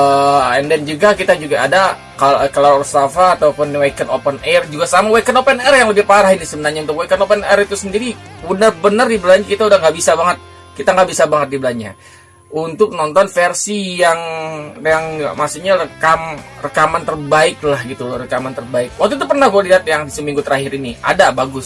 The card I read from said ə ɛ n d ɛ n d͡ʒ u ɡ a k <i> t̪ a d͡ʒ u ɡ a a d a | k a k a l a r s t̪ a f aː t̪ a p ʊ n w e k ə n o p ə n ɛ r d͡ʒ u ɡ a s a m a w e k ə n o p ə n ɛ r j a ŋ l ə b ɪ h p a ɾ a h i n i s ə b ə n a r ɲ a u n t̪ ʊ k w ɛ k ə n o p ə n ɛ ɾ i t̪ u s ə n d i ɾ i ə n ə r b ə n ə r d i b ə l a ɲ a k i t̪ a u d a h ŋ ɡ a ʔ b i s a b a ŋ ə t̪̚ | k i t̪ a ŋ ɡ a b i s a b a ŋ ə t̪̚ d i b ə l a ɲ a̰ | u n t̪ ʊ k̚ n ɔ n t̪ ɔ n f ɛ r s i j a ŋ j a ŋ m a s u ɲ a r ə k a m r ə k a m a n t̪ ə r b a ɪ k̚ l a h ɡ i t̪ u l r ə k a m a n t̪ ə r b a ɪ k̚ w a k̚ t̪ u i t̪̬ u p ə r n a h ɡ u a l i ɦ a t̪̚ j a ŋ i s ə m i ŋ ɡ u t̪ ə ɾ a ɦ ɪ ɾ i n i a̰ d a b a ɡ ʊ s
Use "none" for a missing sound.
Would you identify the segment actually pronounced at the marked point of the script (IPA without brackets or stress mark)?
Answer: i